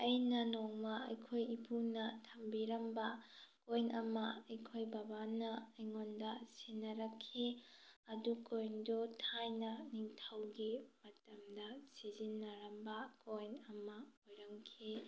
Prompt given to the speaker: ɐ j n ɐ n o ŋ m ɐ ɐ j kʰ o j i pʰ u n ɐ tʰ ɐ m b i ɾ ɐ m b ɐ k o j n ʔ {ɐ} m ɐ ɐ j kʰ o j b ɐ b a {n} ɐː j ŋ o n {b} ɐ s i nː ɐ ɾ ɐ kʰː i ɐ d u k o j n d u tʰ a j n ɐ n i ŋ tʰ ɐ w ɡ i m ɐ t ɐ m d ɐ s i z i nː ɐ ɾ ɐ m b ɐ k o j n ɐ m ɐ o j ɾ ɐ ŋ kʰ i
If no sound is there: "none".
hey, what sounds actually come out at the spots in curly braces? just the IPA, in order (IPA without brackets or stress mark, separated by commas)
ɐ, n, d